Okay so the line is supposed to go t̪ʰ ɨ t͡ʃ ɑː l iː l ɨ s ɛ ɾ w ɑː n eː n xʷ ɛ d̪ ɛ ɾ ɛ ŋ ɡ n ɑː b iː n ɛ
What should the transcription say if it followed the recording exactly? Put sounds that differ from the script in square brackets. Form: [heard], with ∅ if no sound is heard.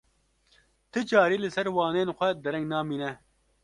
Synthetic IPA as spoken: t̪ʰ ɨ t͡ʃ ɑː [ɾ] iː l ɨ s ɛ ɾ w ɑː n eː n xʷ ɛ d̪ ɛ ɾ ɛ ŋ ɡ n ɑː [m] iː n ɛ